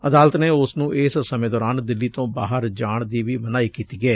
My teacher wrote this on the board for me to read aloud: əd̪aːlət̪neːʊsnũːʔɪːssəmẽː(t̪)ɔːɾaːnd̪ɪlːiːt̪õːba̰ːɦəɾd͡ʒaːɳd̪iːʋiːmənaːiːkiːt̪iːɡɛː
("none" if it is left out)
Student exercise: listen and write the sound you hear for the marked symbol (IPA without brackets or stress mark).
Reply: d̪